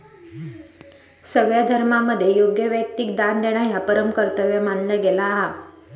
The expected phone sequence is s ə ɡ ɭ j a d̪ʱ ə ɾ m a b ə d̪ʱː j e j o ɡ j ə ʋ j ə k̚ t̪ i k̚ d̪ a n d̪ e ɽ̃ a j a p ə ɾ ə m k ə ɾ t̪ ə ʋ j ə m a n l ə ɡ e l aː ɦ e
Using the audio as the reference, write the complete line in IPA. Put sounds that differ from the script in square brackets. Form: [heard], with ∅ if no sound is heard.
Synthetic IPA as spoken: s ə ɡ ɭ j a d̪ʱ ə ɾ m a [m] ə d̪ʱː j e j o ɡ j ə ʋ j ə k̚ t̪ i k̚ d̪ a n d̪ e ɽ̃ a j a p ə ɾ ə m k ə ɾ t̪ ə ʋ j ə m a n l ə ɡ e l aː ɦ [a]